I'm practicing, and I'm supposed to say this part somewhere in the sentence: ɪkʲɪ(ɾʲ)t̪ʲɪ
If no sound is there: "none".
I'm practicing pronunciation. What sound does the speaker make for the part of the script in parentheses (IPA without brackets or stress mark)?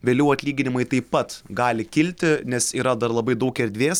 lʲ